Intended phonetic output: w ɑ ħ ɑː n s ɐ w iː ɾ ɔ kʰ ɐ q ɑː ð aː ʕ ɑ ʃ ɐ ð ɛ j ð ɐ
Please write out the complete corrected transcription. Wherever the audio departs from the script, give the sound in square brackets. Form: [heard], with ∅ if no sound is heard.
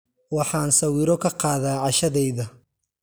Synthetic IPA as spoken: w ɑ ħ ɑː n s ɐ w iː ɾ ɔ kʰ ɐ q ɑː ð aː ʕ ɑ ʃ ɐ ð ɛ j ð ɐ